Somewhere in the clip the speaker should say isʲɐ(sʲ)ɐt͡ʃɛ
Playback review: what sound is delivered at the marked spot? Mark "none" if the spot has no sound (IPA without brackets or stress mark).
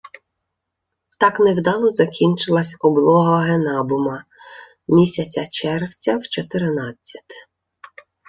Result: t͡sʲ